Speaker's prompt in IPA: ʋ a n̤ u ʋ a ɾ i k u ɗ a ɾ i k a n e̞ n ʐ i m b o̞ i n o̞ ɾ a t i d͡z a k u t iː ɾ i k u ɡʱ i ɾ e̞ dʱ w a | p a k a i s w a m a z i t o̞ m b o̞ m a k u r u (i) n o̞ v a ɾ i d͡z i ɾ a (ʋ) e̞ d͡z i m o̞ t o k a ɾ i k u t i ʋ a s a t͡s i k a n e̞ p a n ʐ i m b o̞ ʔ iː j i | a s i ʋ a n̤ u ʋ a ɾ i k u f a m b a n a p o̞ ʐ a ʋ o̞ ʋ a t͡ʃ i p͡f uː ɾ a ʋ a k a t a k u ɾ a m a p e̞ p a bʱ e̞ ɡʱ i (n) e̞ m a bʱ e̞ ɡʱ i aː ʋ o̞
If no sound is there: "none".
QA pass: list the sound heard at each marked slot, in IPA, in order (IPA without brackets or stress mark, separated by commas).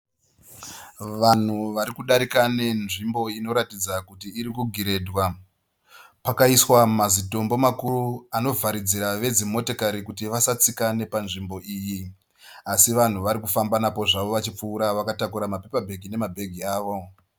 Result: a, ʋ, n